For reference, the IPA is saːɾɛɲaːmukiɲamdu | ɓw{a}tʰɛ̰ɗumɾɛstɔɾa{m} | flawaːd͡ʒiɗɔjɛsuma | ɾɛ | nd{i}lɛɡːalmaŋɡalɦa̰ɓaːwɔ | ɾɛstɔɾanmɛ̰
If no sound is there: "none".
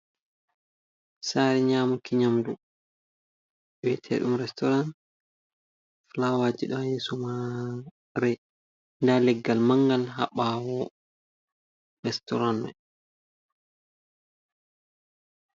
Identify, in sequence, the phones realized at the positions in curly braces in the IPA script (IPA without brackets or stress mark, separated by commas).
ɛ, n, a